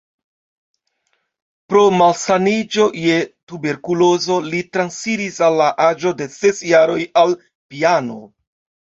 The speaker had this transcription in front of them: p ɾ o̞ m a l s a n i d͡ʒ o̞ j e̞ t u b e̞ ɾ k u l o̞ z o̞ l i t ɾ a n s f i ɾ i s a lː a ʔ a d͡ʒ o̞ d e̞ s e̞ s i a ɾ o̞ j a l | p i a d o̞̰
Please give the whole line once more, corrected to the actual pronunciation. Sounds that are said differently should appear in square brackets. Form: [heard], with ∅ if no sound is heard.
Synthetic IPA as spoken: p ɾ o̞ m a l s a n i d͡ʒ o̞ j e̞ t u b e̞ ɾ k u l o̞ z o̞ l i t ɾ a n s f i ɾ i s a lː a ʔ a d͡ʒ o̞ d e̞ s e̞ s [j] a ɾ o̞ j a l | p i a [n] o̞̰